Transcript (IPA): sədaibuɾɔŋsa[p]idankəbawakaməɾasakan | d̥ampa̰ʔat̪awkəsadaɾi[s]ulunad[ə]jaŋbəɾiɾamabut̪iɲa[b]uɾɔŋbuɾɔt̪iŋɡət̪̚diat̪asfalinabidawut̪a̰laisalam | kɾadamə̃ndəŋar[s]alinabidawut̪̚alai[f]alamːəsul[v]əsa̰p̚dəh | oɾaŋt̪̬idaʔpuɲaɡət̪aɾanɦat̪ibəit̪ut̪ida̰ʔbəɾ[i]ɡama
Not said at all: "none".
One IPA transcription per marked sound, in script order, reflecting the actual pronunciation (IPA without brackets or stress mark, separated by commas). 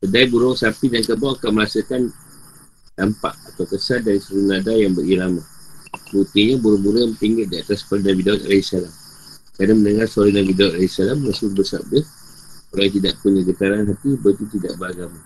p, s, a, b, s, s, b, a